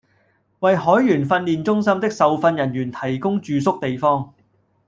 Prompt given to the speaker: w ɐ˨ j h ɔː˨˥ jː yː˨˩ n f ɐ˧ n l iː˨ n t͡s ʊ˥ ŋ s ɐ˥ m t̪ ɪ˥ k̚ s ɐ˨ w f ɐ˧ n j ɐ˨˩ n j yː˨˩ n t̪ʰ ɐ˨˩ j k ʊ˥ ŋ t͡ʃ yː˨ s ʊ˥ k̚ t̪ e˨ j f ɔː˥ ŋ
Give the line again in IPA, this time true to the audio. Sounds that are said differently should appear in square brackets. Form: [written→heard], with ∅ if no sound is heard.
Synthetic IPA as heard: w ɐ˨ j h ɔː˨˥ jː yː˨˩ n f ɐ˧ n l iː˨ n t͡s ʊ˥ ŋ s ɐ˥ m t̪ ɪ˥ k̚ s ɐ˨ w f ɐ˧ n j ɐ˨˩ n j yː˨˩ n t̪ʰ ɐ˨˩ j k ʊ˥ ŋ t͡ʃ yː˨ s ʊ˥ k̚ t̪ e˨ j f ɔː˥ ŋ